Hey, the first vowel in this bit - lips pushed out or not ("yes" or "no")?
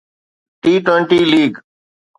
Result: no